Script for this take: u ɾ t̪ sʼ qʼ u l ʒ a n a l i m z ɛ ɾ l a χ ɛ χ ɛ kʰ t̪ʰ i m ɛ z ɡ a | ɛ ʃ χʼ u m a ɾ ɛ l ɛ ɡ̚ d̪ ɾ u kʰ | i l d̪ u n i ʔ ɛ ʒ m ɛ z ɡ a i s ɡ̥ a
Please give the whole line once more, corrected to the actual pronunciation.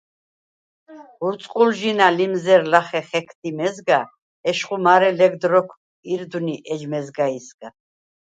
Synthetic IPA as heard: u ɾ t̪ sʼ qʼ u l ʒ i n a l i m z ɛ ɾ l a χ ɛ χ ɛ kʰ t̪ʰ i m ɛ z ɡ a | ɛ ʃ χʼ u m a ɾ ɛ l ɛ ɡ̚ d̪ ɾ ɔ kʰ | i ɾ d̪ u n i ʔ ɛ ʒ m ɛ z ɡ a i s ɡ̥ a